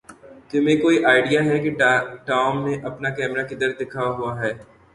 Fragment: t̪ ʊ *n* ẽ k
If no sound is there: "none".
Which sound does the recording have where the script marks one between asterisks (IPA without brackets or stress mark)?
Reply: m